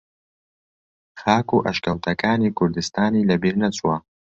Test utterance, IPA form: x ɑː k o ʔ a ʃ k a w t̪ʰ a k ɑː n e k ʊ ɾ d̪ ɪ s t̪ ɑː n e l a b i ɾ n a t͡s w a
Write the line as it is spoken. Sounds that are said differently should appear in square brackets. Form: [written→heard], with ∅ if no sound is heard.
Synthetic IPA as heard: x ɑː k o ʔ a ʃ k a w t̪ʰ a k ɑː n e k ʊ ɾ d̪ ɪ s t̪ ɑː n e l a b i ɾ n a t͡s w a